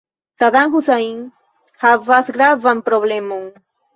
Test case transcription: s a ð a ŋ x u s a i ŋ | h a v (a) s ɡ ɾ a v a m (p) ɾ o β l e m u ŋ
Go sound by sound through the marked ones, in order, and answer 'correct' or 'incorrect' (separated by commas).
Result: correct, correct